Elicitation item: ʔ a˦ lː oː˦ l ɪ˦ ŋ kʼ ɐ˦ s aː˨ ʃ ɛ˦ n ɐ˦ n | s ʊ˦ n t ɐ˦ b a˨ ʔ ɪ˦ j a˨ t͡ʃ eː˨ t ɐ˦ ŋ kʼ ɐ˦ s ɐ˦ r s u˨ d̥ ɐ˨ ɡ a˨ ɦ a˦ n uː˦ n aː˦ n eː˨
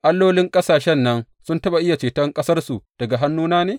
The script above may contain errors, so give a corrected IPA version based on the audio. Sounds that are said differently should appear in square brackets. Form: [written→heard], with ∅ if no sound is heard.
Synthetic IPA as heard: ʔ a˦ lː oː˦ l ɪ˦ ŋ kʼ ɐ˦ s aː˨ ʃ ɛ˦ [n→nː] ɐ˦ n | s ʊ˦ n t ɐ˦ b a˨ ʔ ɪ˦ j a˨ t͡ʃ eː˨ t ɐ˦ ŋ kʼ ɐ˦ s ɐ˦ r s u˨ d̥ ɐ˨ ɡ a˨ ɦ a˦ [n→nː] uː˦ n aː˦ n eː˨